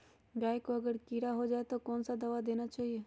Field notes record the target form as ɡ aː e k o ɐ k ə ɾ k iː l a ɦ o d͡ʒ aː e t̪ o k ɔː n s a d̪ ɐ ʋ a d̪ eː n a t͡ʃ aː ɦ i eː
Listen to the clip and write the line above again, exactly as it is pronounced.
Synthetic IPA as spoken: ɡ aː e k o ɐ ɡ ə ɾ k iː ɾ a ɦ o d͡ʒ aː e t̪ o k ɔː n s a d̪ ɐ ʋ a d̪ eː n a t͡ʃ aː ɦ i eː